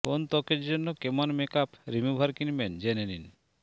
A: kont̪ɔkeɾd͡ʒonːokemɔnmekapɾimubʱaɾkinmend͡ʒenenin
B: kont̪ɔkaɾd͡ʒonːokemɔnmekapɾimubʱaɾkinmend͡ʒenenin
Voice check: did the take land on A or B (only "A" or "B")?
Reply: A